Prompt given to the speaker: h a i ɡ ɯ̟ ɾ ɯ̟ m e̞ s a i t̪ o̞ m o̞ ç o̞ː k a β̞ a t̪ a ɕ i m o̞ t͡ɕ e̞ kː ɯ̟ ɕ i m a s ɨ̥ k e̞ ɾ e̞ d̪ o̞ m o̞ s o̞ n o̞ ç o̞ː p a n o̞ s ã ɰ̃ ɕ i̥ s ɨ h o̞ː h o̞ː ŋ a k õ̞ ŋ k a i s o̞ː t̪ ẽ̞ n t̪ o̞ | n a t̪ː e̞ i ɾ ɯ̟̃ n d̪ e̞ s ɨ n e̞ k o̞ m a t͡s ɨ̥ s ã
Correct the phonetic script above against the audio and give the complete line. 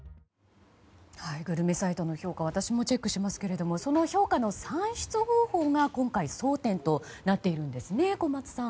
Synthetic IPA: h a i ɡ ɯ̟ ɾ ɯ̟ m e̞ s a i t̪ o̞ n o̞ ç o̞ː k a β̞ a t̪ a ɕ i m o̞ t͡ɕ e̞ kː ɯ̟ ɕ i m a s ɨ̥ k e̞ ɾ e̞ d̪ o̞ m o̞ s o̞ n o̞ ç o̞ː k a n o̞ s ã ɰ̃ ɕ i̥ t͡s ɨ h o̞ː h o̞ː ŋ a k õ̞ ŋ k a i s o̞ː t̪ ẽ̞ n t̪ o̞ | n a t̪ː e̞ i ɾ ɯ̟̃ n d̪ e̞ s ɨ n e̞ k o̞ m a t͡s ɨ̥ s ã